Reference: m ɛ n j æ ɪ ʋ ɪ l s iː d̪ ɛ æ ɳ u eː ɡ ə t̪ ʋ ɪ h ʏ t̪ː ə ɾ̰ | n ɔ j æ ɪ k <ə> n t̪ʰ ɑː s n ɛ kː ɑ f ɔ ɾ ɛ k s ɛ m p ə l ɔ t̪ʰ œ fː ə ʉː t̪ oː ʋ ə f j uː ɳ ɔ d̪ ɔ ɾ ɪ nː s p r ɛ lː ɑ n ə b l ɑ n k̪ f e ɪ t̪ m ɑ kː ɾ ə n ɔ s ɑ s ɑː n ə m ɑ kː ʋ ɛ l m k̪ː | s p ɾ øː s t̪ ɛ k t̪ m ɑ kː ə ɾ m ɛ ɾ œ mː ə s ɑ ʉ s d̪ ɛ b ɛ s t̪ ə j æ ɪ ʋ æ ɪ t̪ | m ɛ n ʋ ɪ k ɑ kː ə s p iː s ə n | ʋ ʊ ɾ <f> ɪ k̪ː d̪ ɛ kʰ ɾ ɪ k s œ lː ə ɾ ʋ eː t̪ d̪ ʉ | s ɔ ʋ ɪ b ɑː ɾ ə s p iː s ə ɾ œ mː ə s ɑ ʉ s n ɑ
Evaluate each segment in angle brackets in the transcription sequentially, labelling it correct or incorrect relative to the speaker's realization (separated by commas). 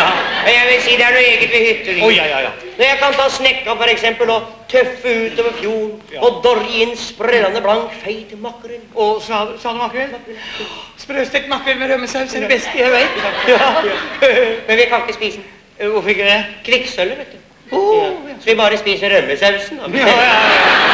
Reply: incorrect, correct